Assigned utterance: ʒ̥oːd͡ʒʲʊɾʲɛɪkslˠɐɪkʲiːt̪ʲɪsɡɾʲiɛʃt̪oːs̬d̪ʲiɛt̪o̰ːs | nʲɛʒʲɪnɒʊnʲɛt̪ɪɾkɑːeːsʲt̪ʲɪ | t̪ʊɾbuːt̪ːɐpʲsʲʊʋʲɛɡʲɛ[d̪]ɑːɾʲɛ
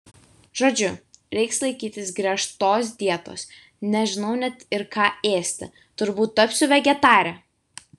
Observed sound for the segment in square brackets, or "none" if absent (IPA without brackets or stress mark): t̪